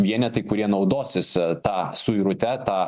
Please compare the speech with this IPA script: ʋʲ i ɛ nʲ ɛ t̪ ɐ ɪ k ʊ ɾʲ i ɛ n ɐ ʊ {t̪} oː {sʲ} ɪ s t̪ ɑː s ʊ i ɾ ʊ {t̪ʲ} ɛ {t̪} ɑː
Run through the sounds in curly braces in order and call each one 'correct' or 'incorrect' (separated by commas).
incorrect, correct, correct, correct